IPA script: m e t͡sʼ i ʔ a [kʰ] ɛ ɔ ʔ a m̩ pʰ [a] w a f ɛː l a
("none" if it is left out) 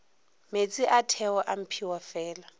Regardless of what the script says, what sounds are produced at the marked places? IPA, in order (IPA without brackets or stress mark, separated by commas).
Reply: tʰ, i